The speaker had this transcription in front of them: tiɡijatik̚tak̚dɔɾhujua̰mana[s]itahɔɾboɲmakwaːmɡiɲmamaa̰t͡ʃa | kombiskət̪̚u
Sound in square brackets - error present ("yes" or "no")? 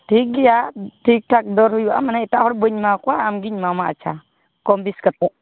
yes